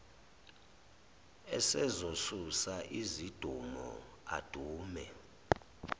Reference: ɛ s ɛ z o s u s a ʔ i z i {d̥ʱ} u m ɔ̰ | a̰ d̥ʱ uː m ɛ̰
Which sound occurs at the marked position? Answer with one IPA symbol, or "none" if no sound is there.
d̥ʱ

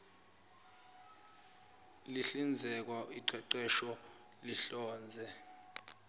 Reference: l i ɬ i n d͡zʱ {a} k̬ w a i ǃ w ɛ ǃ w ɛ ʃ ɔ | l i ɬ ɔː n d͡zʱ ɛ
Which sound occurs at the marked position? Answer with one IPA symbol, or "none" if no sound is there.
ɛ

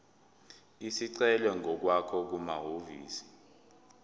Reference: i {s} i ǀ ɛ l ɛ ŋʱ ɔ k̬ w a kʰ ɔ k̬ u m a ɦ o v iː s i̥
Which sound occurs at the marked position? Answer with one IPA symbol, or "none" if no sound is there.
s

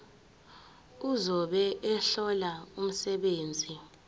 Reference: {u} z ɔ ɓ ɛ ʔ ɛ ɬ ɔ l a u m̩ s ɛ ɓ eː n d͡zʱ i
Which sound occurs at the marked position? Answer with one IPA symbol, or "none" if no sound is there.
u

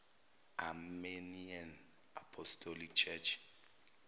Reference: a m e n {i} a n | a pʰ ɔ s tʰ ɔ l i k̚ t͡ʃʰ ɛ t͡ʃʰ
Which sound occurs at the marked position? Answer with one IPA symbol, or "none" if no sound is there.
i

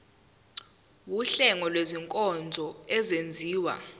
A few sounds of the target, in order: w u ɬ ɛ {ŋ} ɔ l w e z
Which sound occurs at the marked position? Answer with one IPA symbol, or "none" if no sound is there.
ŋ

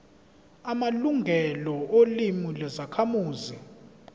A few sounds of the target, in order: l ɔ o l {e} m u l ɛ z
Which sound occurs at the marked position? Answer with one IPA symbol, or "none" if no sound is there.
i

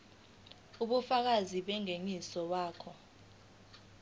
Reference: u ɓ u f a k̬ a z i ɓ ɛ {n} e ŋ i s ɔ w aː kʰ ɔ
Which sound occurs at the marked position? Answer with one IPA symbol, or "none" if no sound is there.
ŋ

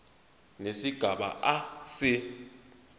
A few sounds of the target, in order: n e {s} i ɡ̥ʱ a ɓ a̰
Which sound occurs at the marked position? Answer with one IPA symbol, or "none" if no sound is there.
s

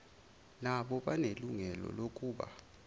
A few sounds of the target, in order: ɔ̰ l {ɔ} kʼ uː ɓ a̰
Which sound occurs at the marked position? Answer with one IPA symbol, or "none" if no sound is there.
o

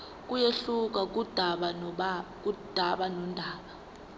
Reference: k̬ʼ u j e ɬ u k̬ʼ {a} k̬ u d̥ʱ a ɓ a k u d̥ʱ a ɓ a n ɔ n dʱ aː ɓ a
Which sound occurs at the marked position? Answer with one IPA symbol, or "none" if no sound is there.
a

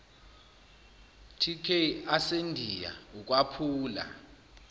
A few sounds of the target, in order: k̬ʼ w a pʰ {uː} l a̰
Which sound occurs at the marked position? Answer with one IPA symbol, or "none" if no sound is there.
uː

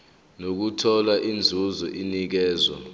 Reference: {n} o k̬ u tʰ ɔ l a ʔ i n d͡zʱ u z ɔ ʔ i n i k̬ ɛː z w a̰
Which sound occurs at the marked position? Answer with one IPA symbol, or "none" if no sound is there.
n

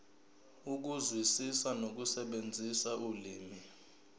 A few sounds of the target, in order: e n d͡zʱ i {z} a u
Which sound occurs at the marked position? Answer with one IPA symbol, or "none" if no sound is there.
s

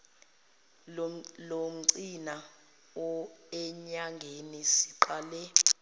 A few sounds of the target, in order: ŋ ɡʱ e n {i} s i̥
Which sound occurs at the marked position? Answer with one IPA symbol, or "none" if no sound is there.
i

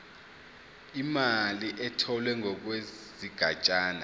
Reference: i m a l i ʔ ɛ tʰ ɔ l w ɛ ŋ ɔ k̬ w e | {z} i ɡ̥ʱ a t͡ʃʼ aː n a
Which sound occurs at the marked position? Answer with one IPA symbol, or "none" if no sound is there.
z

